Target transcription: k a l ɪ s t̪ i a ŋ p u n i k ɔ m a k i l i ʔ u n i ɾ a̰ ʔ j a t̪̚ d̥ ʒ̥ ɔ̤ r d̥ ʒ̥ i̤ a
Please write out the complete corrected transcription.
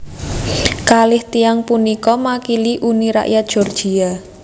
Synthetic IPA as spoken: k a l ɪ h t̪ i a ŋ p u n i k ɔ m a k i l i ʔ u n i ɾ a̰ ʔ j a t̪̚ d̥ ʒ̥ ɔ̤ r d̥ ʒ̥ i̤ a